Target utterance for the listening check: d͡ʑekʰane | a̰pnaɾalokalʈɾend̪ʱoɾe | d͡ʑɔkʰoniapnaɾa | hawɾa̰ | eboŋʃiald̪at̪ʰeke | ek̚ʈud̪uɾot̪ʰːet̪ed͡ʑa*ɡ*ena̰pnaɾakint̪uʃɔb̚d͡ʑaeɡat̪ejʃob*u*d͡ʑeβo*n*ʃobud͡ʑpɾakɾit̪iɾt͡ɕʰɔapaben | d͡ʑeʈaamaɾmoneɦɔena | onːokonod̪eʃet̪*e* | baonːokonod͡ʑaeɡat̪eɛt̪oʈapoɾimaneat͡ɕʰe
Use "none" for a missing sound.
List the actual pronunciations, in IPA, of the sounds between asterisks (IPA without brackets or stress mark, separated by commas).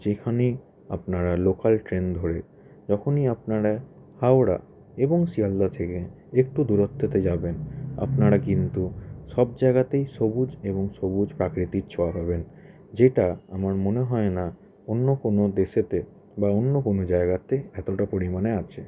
b, u, ŋ, e